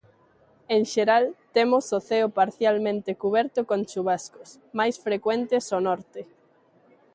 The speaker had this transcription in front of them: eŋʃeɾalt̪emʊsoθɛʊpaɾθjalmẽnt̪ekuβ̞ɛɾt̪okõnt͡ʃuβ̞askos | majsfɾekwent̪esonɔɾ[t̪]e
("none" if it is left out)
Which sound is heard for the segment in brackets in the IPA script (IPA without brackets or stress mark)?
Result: t̪